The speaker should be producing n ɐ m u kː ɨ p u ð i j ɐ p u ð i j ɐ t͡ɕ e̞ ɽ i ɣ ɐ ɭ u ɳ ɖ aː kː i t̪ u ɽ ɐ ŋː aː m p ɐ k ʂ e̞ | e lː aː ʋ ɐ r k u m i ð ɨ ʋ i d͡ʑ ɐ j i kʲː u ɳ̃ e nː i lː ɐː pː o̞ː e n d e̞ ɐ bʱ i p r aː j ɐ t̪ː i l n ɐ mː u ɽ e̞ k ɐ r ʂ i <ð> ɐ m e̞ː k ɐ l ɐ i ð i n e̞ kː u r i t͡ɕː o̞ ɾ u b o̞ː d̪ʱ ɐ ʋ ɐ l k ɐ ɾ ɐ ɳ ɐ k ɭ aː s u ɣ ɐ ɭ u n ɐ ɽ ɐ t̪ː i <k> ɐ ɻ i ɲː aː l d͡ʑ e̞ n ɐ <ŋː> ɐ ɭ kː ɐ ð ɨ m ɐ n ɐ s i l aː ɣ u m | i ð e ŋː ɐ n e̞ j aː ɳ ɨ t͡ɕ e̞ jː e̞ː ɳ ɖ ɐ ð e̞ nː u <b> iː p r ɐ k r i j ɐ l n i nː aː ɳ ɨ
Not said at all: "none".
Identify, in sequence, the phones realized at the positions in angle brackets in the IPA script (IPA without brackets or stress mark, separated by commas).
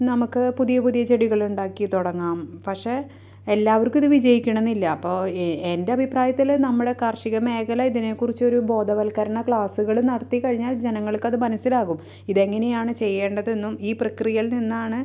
ɣ, k, ŋː, m